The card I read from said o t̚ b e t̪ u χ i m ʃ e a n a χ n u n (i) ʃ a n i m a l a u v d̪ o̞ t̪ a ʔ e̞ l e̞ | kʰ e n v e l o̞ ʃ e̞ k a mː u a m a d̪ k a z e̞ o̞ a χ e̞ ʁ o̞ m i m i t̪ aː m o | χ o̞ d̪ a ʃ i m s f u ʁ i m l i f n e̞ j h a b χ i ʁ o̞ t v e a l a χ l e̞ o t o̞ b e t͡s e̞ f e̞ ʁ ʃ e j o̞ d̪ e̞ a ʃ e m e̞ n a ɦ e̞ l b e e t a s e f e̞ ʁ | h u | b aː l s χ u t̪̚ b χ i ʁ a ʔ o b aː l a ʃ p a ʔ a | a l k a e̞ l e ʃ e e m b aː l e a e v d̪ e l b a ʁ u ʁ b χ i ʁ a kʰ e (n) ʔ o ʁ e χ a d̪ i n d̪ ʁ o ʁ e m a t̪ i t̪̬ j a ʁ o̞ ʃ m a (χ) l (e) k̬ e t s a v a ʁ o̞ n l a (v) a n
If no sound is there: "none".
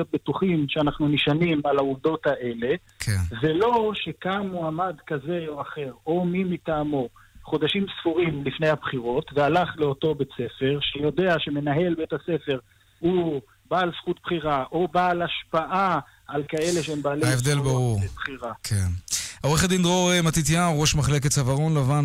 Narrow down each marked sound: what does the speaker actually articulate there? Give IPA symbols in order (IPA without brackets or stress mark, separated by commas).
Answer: i, n, χ, e, v